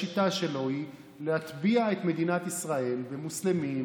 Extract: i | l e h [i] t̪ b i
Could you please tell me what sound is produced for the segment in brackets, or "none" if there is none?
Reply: a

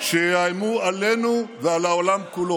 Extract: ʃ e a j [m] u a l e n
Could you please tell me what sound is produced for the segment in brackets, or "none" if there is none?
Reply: m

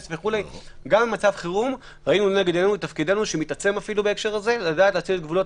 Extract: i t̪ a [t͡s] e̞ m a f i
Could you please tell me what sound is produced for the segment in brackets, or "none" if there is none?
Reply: t͡s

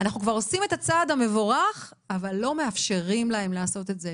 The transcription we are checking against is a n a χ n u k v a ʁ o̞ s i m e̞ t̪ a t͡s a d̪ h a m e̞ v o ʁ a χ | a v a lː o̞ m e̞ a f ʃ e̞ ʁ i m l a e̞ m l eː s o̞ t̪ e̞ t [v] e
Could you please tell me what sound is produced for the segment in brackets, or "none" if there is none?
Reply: z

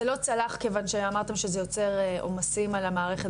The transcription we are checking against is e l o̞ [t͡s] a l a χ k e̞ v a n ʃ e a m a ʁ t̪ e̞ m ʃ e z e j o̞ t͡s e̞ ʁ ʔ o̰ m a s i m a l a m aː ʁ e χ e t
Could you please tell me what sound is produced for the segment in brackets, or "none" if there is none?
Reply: t͡s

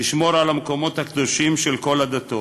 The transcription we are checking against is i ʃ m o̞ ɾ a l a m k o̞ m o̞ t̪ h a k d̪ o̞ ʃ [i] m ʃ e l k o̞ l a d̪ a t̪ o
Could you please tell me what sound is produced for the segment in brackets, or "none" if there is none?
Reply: i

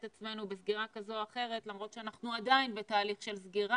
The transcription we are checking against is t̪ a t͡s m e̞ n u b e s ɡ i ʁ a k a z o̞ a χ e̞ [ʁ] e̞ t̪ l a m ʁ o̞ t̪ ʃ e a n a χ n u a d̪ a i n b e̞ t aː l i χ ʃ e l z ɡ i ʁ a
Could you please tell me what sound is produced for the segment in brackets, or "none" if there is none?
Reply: ʁ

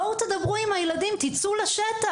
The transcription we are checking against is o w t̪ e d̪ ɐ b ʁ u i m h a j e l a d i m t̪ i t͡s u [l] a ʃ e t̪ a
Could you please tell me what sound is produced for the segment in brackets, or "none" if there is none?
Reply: l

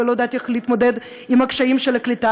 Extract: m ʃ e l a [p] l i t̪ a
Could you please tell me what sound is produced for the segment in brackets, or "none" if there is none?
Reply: k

